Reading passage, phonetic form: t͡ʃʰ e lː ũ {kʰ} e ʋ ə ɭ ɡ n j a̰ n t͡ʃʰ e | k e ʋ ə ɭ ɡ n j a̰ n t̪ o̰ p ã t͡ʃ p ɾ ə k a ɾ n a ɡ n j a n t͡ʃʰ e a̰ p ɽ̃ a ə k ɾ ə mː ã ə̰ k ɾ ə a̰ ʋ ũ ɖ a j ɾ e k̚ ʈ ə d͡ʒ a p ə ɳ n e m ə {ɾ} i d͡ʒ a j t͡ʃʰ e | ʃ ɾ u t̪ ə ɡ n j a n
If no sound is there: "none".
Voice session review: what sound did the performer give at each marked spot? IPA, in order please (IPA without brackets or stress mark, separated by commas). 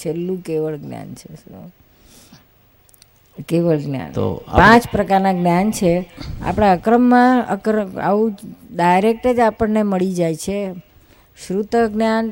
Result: k, ɭ